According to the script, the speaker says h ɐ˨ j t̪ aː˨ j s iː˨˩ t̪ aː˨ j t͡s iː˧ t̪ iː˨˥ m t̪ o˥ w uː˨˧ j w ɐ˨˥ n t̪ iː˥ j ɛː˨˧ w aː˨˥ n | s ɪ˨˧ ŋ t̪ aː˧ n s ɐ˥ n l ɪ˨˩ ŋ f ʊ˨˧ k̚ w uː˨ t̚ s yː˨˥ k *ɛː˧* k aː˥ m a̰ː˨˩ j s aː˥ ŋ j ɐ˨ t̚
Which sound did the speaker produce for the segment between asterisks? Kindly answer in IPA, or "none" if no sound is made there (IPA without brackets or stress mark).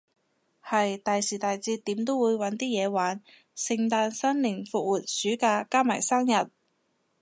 aː˧